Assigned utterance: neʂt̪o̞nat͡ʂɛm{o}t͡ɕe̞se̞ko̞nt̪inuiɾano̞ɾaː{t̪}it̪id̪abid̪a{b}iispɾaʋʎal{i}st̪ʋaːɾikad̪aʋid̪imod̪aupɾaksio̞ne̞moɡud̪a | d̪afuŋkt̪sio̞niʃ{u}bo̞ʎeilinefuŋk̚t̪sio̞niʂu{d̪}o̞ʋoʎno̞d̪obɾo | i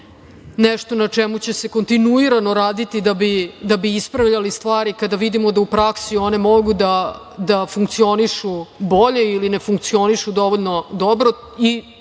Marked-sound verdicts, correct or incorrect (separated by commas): incorrect, incorrect, correct, correct, correct, correct